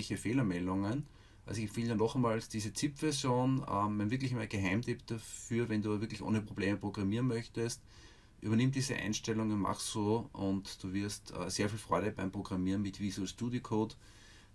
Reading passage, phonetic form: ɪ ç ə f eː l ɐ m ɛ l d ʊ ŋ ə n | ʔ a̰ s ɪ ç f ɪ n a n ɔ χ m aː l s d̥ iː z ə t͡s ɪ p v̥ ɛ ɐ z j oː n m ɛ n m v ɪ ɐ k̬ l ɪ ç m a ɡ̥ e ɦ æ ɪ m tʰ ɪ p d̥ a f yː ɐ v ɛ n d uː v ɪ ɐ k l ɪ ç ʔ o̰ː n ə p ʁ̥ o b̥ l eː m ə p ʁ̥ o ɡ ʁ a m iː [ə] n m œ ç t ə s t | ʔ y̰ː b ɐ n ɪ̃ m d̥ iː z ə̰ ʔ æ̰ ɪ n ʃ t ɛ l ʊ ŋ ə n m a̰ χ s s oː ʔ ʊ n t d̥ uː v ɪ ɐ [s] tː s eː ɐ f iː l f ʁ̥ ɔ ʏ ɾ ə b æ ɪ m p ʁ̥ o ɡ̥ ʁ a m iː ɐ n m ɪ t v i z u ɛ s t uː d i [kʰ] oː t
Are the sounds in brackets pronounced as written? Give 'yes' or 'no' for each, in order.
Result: no, yes, yes

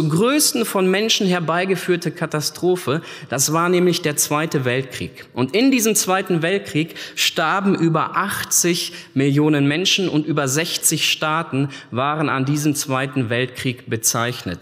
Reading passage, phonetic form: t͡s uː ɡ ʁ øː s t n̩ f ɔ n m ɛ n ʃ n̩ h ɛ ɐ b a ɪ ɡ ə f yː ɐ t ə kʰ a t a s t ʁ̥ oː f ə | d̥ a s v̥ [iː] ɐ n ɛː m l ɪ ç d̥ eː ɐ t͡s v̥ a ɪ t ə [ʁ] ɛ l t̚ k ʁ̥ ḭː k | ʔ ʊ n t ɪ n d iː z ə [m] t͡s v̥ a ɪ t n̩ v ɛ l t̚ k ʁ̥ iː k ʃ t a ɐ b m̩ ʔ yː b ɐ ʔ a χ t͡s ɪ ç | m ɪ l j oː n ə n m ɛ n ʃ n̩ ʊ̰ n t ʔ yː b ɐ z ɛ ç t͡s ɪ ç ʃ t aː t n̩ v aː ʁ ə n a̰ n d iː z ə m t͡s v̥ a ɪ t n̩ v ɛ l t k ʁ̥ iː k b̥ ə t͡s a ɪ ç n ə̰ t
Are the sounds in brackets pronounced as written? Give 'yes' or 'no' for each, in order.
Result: no, no, yes

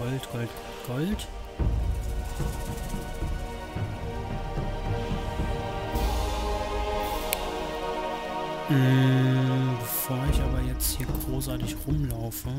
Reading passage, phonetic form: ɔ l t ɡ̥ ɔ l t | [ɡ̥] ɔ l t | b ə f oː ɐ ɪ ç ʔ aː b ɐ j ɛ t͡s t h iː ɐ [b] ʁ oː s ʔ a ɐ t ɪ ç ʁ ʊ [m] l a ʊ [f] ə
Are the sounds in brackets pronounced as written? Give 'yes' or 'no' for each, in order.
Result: yes, no, yes, yes

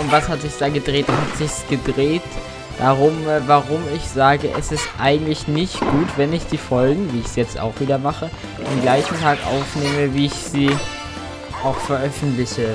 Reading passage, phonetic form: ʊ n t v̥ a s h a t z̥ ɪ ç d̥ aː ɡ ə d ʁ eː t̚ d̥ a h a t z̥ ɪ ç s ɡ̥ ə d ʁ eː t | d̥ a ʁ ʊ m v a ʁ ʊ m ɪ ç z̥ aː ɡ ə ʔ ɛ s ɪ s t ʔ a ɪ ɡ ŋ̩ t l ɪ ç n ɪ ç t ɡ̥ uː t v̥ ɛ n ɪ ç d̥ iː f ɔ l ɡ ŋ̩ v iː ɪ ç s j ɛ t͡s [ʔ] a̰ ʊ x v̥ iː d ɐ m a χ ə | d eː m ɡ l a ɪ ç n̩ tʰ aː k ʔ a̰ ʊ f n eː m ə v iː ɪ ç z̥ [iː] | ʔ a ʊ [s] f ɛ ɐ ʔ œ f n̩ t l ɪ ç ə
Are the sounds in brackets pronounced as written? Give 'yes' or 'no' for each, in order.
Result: no, yes, no

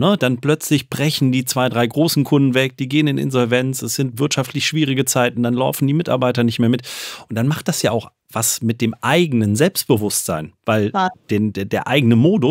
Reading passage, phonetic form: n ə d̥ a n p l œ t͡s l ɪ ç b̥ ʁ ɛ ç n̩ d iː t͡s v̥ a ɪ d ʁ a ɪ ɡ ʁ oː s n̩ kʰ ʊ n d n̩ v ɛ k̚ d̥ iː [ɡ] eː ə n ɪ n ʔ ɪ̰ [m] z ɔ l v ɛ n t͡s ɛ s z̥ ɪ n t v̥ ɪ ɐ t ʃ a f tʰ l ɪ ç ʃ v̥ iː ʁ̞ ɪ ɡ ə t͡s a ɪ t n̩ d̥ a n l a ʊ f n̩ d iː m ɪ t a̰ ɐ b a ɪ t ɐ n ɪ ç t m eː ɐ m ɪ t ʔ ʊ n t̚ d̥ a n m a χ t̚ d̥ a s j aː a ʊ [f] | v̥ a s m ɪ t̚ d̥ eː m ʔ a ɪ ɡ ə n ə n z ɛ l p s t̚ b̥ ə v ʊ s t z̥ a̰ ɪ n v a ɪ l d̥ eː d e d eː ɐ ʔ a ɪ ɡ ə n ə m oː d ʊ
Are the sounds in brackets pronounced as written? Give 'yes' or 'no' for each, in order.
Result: yes, no, no

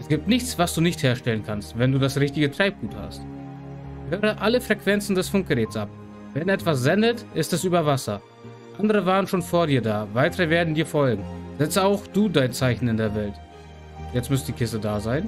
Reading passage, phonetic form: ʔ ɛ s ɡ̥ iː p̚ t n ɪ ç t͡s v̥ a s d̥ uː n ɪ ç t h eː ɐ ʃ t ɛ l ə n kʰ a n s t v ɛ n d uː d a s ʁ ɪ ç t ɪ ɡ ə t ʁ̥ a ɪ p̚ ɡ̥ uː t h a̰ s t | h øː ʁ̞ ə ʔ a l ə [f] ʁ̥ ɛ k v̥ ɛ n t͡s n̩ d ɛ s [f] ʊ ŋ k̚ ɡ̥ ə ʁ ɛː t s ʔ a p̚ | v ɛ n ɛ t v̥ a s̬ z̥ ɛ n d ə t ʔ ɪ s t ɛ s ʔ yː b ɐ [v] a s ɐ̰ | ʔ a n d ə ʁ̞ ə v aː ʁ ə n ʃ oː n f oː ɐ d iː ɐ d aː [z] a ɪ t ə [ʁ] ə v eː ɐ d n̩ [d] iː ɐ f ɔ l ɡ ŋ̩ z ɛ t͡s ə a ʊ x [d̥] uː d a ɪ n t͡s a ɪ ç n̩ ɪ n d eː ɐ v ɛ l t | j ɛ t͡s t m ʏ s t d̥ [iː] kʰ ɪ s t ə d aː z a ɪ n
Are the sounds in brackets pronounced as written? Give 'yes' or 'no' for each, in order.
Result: yes, yes, yes, no, yes, yes, yes, yes

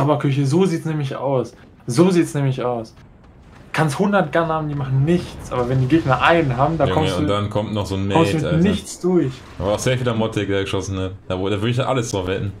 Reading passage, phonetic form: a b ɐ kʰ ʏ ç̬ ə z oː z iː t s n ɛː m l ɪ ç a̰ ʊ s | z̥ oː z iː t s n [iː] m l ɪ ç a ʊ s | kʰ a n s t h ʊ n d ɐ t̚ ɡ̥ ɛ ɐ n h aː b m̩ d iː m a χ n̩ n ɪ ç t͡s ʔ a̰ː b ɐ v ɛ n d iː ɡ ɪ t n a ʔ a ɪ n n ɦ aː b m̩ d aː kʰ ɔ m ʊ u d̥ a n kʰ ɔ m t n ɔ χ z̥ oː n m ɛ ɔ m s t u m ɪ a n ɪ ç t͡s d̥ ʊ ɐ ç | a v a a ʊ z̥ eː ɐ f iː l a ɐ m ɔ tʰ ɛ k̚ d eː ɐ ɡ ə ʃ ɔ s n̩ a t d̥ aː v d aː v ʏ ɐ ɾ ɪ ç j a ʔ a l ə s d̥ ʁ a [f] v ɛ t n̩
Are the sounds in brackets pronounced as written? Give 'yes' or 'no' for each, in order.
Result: no, yes

